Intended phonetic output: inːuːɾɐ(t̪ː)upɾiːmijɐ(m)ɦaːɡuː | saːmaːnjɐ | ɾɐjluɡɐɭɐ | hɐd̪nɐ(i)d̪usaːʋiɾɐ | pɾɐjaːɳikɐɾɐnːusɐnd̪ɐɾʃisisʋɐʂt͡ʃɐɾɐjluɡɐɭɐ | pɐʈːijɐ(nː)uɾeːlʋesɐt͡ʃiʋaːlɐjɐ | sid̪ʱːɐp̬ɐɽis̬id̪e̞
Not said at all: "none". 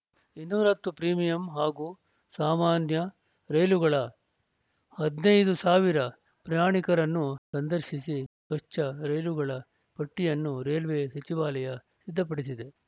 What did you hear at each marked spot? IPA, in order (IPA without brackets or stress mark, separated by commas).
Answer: t̪ː, m, j, nː